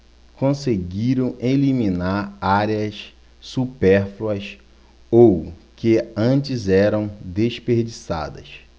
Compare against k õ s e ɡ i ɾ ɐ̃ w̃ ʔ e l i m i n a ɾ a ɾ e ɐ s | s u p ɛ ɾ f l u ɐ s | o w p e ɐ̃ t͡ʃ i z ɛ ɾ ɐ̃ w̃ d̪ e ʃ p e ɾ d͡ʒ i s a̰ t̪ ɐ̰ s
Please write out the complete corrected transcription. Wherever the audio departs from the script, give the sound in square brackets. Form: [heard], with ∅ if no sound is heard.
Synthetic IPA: k õ s e ɡ i ɾ ɐ̃ w̃ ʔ e l i m i n a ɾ a ɾ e ɐ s | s u p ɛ ɾ f l u ɐ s | o w [k] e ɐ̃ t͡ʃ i z ɛ ɾ ɐ̃ w̃ d̪ e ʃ p e ɾ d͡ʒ i s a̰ [d̪] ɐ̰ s